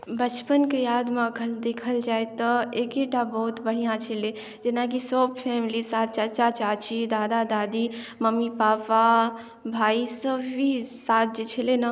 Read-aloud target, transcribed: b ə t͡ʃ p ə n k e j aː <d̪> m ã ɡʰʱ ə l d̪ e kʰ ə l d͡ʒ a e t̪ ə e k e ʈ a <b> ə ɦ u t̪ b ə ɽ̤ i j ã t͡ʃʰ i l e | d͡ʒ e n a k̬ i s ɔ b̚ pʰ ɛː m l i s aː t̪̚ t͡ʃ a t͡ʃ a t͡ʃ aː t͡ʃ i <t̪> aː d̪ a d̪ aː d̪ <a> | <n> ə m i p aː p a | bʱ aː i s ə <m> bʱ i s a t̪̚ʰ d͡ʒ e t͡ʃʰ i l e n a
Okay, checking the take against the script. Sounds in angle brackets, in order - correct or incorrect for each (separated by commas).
correct, correct, incorrect, incorrect, incorrect, incorrect